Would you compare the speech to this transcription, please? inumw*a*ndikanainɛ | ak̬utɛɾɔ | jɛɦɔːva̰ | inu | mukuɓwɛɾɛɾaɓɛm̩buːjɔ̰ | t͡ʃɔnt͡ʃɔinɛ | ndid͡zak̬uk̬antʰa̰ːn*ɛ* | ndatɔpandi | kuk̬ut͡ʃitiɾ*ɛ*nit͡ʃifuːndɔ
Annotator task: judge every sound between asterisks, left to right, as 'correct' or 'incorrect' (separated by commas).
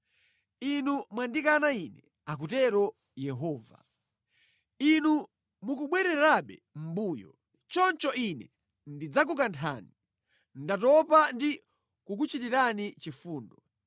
correct, incorrect, incorrect